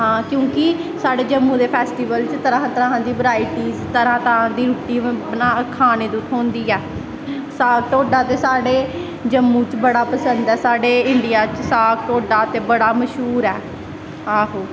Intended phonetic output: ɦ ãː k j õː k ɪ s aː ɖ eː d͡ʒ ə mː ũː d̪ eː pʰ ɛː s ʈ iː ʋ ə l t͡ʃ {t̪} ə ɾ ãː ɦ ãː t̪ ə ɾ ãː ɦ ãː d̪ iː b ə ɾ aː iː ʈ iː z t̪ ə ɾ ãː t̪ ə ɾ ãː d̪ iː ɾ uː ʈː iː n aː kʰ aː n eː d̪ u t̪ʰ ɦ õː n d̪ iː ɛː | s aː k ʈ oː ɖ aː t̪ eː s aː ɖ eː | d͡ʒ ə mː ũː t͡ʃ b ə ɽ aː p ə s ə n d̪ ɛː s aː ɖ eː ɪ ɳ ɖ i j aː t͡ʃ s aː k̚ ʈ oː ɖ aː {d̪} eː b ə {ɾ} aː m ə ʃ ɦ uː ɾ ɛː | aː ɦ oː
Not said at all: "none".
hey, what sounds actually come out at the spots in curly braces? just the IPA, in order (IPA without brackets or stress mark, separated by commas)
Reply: t̪, t̪, ɽ